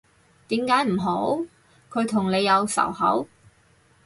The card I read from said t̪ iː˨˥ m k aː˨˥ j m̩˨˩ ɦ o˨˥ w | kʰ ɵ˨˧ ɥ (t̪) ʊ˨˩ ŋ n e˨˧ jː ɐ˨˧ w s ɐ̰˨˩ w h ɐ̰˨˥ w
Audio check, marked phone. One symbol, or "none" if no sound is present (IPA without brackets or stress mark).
t̪ʰ